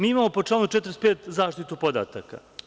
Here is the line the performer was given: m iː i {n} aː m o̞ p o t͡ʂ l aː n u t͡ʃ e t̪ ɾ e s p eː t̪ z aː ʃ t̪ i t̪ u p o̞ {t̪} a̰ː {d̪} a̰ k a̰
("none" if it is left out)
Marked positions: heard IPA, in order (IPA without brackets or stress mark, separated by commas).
m, d̪, t̪